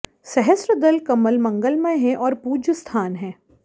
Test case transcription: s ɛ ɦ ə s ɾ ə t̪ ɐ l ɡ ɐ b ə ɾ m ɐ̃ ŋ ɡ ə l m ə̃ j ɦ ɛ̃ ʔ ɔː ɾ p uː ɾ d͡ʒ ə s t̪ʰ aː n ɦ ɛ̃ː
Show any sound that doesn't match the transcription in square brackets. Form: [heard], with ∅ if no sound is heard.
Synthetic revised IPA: s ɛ ɦ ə s ɾ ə [d̪] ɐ l [k] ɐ [m] ə [l] m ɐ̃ ŋ ɡ ə l m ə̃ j ɦ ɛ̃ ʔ ɔː ɾ p uː [∅] d͡ʒ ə s t̪ʰ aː n ɦ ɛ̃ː